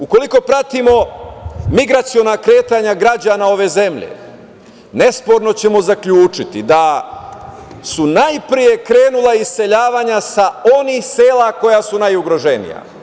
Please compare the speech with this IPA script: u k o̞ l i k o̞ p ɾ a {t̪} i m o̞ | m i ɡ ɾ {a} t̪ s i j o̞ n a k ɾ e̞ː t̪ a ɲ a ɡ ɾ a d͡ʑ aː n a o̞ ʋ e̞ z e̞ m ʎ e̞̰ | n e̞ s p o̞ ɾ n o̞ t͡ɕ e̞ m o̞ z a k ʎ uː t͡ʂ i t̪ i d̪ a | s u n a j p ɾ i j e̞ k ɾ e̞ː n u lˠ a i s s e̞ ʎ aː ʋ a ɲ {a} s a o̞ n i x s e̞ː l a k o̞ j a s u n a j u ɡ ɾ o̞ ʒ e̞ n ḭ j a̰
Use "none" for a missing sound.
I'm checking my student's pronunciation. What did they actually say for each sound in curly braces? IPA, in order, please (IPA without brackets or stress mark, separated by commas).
t̪, a, a